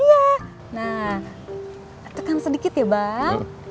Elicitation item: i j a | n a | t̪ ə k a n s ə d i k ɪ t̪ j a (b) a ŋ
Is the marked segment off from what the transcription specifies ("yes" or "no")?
no